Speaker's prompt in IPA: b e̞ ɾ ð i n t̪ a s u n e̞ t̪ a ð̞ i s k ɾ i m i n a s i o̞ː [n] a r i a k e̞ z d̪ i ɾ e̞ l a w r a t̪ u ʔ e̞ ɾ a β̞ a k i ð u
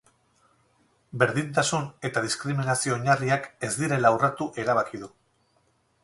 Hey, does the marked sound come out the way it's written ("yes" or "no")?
no